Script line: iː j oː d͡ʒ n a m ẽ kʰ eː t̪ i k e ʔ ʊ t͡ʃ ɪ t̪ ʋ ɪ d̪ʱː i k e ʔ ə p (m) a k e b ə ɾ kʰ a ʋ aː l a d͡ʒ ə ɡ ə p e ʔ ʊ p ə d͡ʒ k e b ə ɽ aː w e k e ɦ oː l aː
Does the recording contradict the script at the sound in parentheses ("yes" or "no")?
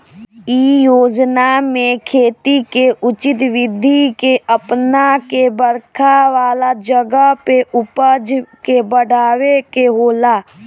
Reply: yes